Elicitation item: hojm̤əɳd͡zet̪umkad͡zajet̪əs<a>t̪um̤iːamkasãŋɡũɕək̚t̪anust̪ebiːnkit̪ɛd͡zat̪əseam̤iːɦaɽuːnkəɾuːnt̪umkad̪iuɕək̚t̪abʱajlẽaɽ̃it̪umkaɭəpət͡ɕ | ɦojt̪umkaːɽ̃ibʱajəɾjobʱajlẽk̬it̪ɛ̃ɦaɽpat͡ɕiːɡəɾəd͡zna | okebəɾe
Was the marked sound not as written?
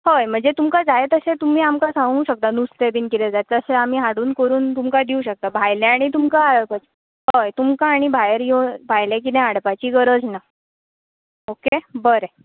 yes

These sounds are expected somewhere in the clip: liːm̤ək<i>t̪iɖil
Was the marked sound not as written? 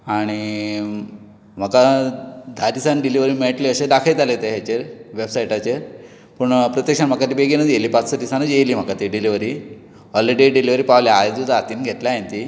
yes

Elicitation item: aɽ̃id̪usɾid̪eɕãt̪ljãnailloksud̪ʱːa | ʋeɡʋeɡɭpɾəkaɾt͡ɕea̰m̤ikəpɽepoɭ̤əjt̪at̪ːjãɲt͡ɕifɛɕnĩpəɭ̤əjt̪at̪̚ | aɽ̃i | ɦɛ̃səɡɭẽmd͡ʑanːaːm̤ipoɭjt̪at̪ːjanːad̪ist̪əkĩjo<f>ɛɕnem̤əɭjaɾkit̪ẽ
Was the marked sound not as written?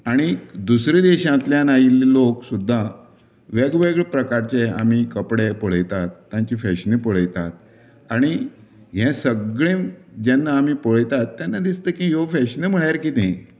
no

